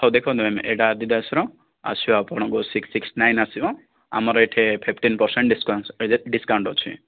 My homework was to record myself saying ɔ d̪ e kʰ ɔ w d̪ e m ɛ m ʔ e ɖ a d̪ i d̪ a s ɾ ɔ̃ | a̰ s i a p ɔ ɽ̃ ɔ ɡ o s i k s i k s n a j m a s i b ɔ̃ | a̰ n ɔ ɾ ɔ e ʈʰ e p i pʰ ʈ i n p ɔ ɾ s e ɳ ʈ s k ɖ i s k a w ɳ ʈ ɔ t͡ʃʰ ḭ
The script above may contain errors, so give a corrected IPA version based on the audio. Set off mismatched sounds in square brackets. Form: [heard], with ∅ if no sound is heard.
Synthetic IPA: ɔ d̪ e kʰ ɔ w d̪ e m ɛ m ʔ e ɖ a d̪ i d̪ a s ɾ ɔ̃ | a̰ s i a p ɔ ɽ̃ ɔ ɡ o s i k s i k s n a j [n] a s i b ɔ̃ | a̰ [m] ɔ ɾ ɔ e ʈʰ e [pʰ] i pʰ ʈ i n p ɔ ɾ s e ɳ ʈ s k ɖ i s k a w ɳ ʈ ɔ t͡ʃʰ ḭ

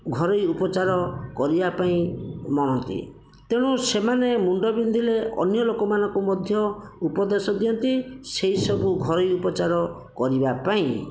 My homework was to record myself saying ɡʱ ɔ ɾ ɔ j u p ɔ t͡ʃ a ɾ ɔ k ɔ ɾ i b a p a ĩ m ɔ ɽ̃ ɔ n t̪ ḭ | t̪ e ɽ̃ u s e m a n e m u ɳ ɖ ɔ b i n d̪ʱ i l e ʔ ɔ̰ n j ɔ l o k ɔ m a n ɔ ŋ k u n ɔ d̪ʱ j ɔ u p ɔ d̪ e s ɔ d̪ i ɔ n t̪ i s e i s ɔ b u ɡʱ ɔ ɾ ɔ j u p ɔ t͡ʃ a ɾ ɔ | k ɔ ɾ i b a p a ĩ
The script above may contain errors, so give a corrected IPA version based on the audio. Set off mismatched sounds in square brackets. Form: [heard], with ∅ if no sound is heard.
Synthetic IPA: ɡʱ ɔ ɾ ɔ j u p ɔ t͡ʃ a ɾ ɔ k ɔ ɾ i b a p a ĩ m ɔ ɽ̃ ɔ n t̪ ḭ | t̪ e ɽ̃ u s e m a n e m u ɳ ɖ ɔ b i n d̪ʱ i l e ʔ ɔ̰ n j ɔ l o k ɔ m a n ɔ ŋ k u [m] ɔ d̪ʱ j ɔ u p ɔ d̪ e s ɔ d̪ i ɔ n t̪ i s e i s ɔ b u ɡʱ ɔ ɾ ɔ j u p ɔ t͡ʃ a ɾ ɔ | k ɔ ɾ i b a p a ĩ

